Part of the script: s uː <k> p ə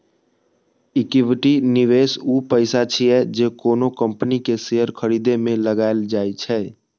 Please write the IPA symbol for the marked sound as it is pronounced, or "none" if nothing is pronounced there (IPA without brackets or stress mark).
none